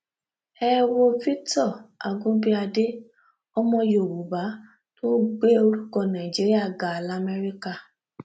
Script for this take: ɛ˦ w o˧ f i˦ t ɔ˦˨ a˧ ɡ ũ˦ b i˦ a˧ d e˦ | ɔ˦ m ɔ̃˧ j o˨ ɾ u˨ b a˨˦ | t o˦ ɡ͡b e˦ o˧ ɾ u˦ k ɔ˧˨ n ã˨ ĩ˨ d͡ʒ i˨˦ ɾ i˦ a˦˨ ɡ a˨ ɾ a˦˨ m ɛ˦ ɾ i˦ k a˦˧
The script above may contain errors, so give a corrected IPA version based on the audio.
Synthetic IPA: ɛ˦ w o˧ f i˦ t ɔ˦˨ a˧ ɡ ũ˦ b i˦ a˧ d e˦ | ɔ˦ m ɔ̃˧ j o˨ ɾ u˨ b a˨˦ | t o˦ ɡ͡b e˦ o˧ ɾ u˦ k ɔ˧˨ n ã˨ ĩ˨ d͡ʒ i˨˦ ɾ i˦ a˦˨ ɡ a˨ l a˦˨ m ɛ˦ ɾ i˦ k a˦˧